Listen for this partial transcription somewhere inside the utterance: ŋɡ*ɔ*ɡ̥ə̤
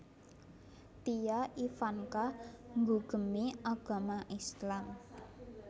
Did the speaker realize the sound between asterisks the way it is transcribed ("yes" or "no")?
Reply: no